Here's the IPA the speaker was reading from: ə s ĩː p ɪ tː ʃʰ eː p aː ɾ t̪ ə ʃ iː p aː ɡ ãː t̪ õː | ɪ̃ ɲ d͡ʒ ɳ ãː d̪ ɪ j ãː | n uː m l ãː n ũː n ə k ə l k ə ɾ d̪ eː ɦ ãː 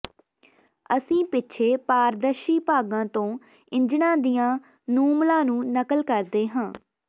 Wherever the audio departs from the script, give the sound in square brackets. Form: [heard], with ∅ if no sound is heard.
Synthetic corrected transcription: ə s ĩː p ɪ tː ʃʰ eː p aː ɾ [d̪] ə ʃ iː p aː ɡ ãː t̪ õː | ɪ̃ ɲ d͡ʒ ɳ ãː d̪ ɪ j ãː | n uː m l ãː n ũː n ə k ə l k ə ɾ d̪ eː ɦ ãː